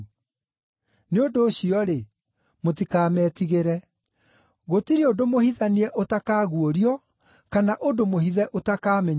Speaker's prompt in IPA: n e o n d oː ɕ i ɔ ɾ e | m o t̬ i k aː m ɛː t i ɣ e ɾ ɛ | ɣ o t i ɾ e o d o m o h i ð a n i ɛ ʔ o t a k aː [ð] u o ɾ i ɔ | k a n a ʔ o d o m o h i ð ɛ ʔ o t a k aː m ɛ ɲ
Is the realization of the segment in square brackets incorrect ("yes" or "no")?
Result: yes